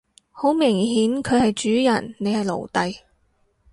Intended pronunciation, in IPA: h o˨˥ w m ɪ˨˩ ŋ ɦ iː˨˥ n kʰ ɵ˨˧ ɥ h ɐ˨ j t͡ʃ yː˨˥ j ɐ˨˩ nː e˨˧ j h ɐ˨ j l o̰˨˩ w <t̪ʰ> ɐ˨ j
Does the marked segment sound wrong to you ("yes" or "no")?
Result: yes